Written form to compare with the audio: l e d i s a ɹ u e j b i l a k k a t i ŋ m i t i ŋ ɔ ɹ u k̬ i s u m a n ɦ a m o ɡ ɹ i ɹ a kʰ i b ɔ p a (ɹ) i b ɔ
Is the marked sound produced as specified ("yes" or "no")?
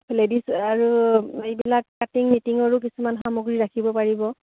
yes